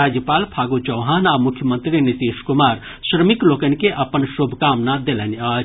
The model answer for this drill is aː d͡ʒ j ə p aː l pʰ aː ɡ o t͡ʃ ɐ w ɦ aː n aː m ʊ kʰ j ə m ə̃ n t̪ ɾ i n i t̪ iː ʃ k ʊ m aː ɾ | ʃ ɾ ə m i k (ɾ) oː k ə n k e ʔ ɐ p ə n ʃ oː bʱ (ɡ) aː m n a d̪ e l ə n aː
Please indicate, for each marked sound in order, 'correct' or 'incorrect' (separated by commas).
incorrect, incorrect